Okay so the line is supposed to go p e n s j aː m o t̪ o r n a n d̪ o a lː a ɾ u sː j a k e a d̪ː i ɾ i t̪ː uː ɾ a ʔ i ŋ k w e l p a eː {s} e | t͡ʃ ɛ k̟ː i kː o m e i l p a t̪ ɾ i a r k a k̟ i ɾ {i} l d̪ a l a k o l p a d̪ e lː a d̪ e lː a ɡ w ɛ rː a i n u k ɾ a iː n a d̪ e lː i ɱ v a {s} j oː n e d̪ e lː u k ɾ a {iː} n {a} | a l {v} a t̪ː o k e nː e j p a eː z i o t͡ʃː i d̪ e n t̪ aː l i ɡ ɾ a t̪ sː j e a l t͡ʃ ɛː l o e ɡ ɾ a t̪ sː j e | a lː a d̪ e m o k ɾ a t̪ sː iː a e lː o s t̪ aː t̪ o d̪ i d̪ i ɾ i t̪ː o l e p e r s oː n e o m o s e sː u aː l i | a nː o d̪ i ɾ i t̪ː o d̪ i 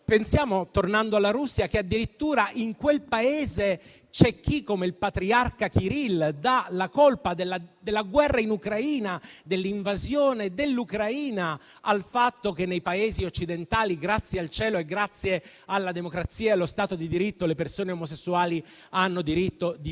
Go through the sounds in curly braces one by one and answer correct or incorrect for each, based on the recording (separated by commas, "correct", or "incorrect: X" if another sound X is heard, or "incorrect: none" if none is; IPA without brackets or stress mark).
incorrect: z, correct, incorrect: z, correct, correct, incorrect: f